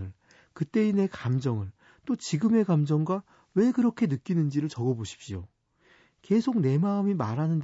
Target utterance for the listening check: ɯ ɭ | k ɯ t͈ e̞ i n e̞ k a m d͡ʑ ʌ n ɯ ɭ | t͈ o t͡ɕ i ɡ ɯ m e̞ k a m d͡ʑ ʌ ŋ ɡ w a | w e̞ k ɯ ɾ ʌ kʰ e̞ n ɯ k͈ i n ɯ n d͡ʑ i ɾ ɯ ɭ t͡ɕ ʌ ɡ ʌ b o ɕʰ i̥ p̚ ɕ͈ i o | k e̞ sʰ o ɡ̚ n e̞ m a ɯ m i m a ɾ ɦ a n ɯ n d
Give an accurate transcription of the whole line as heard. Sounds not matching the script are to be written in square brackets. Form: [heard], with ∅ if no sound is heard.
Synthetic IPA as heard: ɯ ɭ | k ɯ t͈ e̞ i n e̞ k a m d͡ʑ ʌ [ŋ] ɯ ɭ | t͈ o t͡ɕ i ɡ ɯ m e̞ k a m d͡ʑ ʌ ŋ ɡ w a | w e̞ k ɯ ɾ ʌ kʰ e̞ n ɯ k͈ i n ɯ n d͡ʑ i ɾ ɯ ɭ t͡ɕ ʌ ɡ ʌ b o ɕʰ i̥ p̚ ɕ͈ i o | k e̞ sʰ o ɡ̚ n e̞ m a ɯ m i m a ɾ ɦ a n ɯ n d